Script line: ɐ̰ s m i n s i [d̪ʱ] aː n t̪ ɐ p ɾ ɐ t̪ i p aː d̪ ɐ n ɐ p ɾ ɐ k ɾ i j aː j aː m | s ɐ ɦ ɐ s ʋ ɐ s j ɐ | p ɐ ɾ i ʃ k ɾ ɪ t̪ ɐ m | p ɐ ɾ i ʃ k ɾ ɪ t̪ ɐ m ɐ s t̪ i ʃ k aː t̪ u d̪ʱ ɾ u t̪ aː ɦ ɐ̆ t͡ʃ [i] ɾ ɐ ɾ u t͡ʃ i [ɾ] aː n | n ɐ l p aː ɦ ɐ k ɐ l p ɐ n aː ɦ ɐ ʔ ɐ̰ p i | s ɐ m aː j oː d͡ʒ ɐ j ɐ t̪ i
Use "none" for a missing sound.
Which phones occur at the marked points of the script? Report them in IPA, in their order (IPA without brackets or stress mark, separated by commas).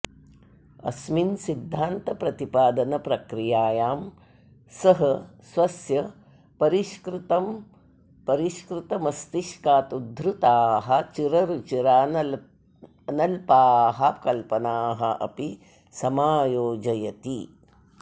d̪ʱː, i, ɾ